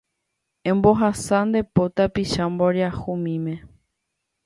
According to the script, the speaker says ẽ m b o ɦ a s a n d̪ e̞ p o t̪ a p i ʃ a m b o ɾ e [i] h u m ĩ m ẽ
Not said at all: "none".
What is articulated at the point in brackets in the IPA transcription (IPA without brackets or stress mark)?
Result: a